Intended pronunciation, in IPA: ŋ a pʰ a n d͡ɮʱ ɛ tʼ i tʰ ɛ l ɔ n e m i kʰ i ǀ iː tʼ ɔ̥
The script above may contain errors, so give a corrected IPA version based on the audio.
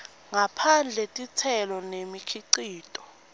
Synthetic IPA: ŋ a pʰ a n d͡ɮʱ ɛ tʼ i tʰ ɛ l ɔ n e m i kʰ i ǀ iː tʼ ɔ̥